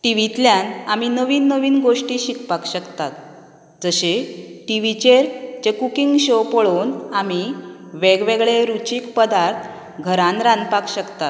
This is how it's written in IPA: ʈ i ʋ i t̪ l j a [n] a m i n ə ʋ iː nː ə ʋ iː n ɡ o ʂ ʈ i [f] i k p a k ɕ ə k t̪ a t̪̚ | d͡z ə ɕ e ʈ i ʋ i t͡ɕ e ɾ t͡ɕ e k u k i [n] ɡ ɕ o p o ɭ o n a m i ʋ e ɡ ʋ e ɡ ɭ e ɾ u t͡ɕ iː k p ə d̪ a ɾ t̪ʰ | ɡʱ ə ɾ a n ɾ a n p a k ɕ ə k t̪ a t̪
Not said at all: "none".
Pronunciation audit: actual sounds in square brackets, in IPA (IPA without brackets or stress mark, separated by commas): n, ɕ, ŋ